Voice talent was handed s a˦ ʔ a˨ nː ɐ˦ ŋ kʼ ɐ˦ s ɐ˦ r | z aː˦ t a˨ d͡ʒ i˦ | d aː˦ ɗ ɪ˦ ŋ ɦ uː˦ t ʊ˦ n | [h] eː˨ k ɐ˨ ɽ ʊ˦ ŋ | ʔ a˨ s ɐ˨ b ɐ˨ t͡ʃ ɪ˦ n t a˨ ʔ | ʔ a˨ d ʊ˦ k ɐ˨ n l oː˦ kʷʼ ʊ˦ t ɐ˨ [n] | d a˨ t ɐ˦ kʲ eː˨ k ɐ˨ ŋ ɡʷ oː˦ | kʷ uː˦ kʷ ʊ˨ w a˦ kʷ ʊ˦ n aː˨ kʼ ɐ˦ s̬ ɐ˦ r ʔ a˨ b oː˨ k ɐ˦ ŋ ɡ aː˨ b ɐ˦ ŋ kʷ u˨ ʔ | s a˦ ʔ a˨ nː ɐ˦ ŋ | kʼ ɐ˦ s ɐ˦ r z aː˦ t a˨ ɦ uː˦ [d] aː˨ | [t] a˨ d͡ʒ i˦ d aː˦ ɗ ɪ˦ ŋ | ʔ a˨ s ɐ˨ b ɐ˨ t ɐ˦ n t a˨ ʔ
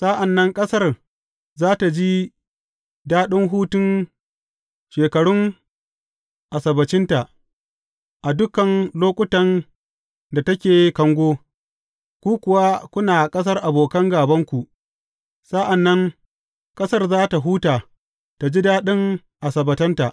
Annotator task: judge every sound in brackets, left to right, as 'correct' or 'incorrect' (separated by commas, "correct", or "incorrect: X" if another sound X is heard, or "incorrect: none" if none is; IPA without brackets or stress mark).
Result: incorrect: ʃ, correct, incorrect: t, correct